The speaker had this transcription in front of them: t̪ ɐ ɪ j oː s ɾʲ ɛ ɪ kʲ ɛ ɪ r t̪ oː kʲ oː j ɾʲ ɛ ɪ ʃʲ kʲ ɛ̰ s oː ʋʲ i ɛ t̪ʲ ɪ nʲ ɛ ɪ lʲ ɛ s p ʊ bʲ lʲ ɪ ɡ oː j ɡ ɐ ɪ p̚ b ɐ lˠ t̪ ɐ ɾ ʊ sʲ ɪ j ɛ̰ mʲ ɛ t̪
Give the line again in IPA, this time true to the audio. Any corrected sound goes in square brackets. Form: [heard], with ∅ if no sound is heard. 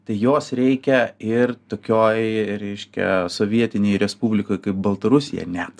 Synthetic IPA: t̪ ɐ ɪ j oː s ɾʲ ɛ ɪ kʲ ɛ ɪ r t̪ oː kʲ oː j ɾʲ ɛ ɪ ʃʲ kʲ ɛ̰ s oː ʋʲ i ɛ t̪ʲ ɪ nʲ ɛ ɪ [ɾʲ] ɛ s p [u] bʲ lʲ ɪ [k] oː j [k] ɐ ɪ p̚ b ɐ lˠ t̪ ɐ ɾ ʊ sʲ ɪ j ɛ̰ [nʲ] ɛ t̪